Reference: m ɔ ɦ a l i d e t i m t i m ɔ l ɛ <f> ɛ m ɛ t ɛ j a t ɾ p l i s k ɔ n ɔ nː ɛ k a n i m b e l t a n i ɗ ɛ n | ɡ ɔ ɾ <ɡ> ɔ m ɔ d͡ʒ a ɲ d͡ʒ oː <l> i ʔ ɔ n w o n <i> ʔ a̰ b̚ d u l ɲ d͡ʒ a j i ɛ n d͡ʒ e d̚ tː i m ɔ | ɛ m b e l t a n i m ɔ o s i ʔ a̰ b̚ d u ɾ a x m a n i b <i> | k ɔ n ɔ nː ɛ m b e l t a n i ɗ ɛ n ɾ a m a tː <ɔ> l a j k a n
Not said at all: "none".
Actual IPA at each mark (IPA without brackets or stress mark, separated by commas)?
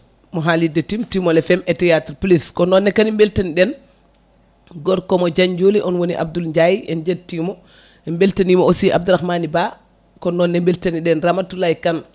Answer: f, k, l, i, a, u